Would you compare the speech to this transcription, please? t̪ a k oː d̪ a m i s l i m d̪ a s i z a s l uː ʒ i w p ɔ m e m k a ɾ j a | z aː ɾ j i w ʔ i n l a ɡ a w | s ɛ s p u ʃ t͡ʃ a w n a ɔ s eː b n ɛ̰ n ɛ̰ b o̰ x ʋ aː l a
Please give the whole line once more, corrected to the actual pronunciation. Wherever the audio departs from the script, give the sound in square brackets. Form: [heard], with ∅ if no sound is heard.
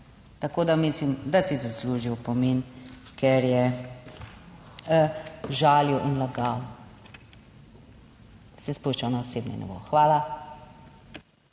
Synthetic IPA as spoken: t̪ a k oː d̪ a m i s l i m d̪ a s i z a s l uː ʒ i w p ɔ m e [n] k [ɛ] ɾ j [ɛ] | [ʒ] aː [l] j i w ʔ i n l a ɡ a w | s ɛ s p u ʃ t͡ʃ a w n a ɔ s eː b n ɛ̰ n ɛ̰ b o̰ x ʋ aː l a